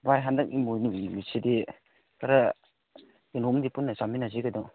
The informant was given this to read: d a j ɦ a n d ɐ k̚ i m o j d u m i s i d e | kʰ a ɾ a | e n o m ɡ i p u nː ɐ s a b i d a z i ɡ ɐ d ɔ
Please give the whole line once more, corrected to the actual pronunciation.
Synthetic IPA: b a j ɦ a n d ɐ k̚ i m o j n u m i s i d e | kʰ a ɾ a | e n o m d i p u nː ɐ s a m i n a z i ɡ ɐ d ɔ